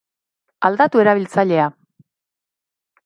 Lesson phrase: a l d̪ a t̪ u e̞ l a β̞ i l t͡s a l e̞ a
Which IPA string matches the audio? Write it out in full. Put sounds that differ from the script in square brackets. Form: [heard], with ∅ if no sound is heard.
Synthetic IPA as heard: a l d̪ a t̪ u e̞ [ɾ] a β̞ i l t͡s a [ʎ] e̞ a